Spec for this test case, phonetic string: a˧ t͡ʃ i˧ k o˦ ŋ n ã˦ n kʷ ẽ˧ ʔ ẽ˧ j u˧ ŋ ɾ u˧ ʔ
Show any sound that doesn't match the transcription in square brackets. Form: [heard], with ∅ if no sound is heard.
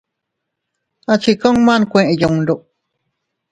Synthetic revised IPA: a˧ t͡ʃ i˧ k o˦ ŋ [m] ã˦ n kʷ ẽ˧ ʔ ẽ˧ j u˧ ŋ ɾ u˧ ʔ